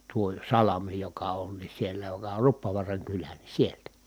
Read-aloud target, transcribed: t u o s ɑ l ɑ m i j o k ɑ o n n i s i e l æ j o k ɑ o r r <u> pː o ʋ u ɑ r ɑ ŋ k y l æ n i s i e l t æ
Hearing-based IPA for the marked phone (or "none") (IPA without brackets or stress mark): u